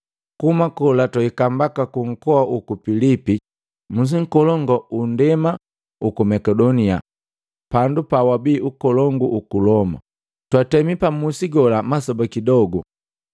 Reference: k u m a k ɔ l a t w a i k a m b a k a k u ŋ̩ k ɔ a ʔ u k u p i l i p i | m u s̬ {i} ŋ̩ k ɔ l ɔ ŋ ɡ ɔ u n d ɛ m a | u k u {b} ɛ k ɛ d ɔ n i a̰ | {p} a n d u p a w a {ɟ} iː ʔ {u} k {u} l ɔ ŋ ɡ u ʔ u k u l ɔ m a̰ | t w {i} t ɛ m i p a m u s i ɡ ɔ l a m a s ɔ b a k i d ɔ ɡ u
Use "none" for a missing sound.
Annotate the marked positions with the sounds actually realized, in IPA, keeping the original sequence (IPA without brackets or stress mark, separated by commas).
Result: i, m, p, b, u, ɔ, a